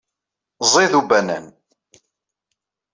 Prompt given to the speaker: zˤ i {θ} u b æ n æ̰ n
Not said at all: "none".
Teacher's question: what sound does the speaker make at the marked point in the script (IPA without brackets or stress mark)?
ð